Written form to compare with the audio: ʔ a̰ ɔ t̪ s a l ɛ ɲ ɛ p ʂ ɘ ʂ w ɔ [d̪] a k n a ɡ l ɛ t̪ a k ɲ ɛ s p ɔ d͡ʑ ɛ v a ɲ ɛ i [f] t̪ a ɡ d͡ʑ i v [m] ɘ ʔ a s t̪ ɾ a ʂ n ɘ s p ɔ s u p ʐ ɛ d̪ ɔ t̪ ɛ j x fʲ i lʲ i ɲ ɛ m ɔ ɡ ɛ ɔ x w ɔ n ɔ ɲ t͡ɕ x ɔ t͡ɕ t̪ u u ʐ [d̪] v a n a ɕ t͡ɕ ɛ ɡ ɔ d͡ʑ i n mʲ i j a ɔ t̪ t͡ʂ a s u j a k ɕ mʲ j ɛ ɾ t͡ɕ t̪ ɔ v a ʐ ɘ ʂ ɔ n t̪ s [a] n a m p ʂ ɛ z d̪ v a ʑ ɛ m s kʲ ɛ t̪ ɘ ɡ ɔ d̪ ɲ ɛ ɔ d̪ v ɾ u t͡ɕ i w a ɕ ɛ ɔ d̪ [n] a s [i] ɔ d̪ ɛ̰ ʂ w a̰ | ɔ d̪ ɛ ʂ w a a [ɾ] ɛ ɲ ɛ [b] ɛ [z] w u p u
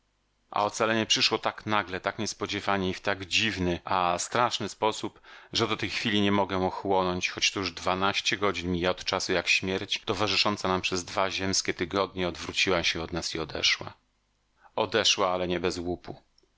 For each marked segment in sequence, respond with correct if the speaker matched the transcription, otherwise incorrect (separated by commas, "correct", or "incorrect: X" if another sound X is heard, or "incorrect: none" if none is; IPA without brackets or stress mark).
incorrect: t̪, correct, incorrect: n, correct, correct, correct, correct, incorrect: l, correct, correct